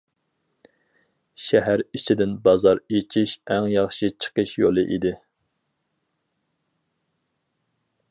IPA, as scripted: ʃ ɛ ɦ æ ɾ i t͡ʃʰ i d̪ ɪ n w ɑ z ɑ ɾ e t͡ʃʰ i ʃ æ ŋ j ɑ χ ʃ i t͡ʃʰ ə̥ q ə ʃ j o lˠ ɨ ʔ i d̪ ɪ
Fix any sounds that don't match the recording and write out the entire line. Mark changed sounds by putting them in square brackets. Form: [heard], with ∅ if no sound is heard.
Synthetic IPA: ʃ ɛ ɦ æ ɾ i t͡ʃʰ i d̪ ɪ n [b] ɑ z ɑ ɾ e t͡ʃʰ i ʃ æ ŋ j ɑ χ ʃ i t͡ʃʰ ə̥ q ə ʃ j o lˠ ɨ ʔ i d̪ ɪ